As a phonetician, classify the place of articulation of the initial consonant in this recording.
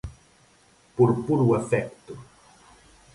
labial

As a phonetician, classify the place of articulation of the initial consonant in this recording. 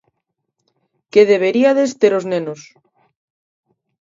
velar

